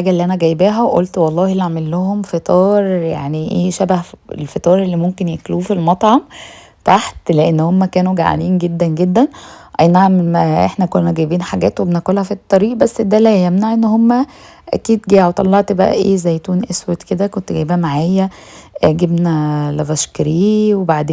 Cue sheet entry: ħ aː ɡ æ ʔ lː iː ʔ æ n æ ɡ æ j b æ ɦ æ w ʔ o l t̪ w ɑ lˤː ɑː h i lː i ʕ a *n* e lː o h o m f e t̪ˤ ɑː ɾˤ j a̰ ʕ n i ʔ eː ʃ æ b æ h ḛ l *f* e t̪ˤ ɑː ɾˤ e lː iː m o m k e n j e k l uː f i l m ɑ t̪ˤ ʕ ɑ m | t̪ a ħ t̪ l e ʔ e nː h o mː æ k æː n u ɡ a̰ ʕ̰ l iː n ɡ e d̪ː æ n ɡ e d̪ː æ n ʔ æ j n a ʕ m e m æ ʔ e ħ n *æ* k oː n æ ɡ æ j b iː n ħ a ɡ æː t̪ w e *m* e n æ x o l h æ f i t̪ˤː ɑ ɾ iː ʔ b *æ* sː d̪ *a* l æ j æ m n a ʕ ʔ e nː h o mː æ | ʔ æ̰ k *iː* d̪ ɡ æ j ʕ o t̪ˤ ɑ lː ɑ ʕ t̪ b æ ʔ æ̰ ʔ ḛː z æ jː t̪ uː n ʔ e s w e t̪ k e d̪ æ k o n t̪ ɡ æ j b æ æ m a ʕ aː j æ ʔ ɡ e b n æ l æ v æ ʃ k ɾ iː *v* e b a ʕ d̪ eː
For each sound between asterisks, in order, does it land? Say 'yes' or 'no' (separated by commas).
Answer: no, yes, yes, no, yes, no, yes, no